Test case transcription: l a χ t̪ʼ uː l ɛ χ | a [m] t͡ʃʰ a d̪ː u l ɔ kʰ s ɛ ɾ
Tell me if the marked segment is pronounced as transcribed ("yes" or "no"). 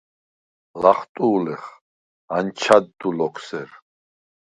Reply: no